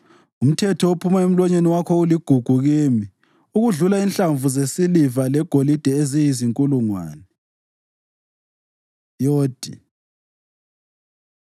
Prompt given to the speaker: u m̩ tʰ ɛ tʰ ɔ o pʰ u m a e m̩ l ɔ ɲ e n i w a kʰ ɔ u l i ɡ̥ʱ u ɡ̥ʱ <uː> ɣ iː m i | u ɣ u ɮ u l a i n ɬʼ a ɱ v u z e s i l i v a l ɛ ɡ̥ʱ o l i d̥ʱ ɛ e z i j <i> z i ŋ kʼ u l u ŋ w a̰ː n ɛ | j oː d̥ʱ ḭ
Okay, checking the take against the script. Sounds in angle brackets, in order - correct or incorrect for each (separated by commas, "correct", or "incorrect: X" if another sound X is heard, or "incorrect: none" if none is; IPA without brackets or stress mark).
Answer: incorrect: u, correct